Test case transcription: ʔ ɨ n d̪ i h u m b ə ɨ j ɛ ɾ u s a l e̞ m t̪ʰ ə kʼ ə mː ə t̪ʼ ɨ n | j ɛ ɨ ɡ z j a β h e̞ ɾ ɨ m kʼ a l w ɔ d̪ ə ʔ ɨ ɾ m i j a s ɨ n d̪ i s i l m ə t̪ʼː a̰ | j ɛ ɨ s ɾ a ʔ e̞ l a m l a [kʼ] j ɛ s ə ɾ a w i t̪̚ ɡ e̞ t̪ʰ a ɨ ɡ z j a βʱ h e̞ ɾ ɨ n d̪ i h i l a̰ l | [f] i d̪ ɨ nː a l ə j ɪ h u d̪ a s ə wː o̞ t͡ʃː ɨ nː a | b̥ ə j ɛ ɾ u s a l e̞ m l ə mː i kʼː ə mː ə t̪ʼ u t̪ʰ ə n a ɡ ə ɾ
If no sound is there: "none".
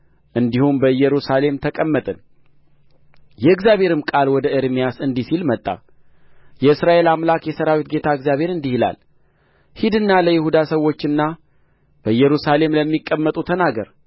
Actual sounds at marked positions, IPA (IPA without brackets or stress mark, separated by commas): k, h